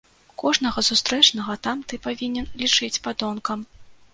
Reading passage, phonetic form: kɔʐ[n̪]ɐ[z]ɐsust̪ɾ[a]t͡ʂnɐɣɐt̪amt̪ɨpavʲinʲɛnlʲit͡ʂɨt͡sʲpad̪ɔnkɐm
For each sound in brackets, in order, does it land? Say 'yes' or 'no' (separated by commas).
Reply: yes, no, no